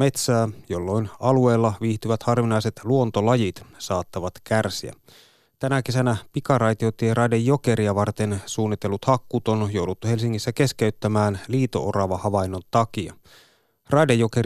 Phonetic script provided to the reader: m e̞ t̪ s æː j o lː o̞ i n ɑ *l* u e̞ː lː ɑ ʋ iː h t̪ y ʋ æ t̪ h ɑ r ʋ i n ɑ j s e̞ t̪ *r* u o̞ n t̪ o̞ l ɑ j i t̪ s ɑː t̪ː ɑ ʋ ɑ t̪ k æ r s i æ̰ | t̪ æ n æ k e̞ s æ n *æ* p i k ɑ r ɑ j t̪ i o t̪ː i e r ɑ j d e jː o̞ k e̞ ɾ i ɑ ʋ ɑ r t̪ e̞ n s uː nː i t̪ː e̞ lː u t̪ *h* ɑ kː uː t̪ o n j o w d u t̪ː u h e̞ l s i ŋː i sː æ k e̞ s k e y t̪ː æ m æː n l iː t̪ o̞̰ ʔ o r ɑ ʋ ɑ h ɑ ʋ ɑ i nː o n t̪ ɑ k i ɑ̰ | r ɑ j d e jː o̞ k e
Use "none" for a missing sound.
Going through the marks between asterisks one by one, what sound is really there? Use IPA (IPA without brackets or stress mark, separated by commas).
l, l, æ, h